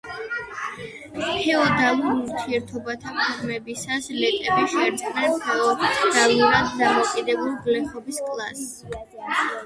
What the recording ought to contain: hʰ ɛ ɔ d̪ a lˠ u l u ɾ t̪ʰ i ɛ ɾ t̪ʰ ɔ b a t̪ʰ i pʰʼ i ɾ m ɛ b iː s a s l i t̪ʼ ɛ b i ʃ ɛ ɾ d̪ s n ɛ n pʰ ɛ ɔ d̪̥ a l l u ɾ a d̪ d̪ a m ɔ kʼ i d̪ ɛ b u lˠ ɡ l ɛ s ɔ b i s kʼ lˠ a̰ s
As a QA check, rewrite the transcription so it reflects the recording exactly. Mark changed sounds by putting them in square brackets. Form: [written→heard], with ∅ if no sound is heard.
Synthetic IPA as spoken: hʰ ɛ ɔ d̪ a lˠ u [l→ɾ] u ɾ t̪ʰ i ɛ ɾ t̪ʰ ɔ b a t̪ʰ [i→a] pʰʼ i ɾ m ɛ b [iː→i] s a s l [i→ɛ] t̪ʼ ɛ b i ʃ ɛ ɾ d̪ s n ɛ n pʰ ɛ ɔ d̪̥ a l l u ɾ a d̪ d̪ a m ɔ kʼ i d̪ ɛ b u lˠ ɡ l ɛ [s→χ] ɔ b i s kʼ lˠ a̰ s